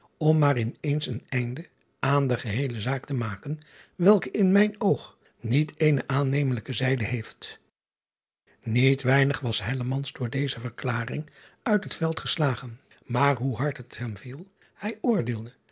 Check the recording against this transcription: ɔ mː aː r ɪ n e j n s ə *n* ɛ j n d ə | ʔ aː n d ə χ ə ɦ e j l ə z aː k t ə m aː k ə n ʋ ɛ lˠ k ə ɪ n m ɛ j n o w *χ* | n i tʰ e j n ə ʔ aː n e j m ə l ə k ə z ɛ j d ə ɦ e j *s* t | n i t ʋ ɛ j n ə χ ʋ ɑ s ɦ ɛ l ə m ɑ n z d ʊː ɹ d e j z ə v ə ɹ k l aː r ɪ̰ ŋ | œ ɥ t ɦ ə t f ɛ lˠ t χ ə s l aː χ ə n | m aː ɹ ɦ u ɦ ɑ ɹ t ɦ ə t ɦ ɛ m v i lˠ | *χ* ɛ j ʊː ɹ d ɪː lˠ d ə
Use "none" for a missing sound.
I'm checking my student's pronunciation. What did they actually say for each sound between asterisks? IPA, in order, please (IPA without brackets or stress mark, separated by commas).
n, χ, f, h